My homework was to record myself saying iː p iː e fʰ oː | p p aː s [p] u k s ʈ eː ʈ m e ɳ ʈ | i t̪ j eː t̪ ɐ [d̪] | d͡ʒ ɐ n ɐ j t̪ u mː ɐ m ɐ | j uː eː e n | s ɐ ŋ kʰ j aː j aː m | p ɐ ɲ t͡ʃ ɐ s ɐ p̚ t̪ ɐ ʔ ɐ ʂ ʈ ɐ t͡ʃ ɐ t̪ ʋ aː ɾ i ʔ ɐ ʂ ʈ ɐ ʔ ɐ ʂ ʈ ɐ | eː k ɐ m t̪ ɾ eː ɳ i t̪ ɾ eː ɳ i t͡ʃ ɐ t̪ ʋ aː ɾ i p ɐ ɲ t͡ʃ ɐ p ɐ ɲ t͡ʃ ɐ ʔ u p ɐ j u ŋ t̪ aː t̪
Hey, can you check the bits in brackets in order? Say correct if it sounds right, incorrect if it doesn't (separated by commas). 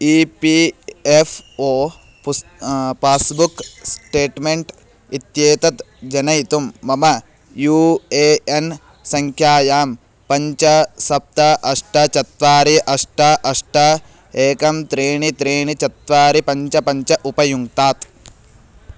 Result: incorrect, incorrect